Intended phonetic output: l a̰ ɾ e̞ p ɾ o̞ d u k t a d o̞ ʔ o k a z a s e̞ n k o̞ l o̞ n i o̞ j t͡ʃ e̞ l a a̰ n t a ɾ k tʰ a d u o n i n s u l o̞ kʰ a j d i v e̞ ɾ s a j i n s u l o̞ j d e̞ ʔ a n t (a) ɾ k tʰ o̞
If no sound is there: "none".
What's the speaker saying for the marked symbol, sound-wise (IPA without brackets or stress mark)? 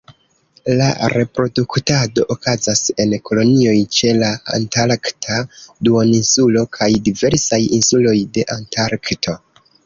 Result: a